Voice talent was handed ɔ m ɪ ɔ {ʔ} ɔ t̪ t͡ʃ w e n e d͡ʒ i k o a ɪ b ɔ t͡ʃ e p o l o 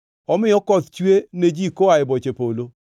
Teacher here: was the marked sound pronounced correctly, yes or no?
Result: no